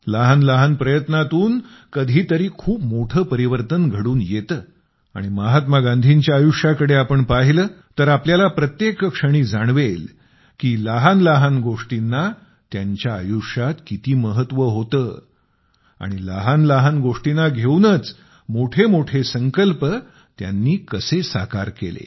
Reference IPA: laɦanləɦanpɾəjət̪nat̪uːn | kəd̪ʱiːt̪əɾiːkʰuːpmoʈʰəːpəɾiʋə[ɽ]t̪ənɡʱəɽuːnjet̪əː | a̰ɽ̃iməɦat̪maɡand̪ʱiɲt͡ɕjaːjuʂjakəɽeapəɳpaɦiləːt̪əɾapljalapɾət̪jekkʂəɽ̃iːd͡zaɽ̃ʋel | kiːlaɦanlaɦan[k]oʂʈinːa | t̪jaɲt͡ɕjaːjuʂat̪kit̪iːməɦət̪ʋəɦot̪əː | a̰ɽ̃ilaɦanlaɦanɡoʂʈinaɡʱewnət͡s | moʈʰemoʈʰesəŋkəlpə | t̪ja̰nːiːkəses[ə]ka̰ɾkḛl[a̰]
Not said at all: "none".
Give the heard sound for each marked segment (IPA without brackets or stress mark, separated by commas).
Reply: ɾ, ɡ, a, ḛ